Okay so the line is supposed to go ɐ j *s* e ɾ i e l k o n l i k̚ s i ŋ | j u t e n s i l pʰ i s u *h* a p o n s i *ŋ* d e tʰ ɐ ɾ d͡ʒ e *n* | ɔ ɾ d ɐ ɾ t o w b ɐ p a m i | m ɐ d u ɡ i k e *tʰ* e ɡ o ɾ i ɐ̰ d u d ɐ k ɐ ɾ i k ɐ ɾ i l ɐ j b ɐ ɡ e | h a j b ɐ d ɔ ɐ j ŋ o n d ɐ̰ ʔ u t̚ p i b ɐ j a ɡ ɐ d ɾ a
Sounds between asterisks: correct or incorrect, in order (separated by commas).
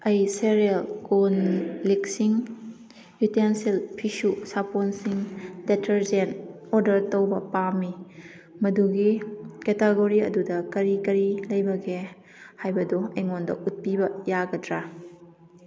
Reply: correct, incorrect, correct, correct, incorrect